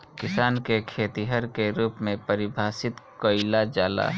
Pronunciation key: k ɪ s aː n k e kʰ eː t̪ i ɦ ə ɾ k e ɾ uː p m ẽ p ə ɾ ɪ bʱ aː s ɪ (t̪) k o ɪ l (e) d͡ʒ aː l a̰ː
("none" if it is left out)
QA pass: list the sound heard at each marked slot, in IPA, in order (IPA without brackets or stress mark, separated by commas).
t̪, a